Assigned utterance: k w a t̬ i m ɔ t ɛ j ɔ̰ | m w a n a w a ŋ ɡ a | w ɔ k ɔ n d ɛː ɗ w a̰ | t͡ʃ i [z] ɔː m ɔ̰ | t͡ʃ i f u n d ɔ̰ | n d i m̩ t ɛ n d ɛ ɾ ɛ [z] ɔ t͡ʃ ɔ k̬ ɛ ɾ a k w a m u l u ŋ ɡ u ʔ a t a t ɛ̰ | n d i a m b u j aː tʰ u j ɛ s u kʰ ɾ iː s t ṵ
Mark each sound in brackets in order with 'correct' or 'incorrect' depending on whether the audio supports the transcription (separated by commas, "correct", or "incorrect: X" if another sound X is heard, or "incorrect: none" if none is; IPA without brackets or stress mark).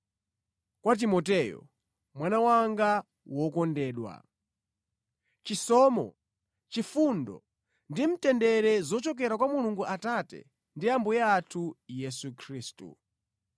incorrect: s, correct